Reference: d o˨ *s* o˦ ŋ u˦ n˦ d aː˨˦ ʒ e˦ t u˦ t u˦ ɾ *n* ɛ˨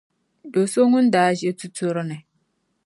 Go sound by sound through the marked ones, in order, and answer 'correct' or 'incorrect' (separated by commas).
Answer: correct, correct